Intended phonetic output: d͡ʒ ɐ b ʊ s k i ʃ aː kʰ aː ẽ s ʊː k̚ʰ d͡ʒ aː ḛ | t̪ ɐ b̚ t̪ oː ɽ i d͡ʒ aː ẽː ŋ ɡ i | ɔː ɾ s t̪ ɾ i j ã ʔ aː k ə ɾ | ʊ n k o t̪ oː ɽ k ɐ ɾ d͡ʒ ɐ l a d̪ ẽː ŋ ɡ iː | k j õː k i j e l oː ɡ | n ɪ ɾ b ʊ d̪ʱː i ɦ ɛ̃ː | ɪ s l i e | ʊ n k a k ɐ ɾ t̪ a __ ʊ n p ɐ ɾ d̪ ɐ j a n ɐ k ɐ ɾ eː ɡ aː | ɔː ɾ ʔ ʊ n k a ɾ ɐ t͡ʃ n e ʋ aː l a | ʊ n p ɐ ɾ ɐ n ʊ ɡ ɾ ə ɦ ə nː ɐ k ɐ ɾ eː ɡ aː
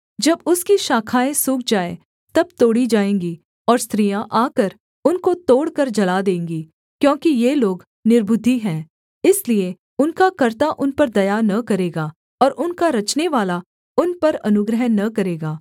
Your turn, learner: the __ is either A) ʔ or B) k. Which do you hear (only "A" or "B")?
A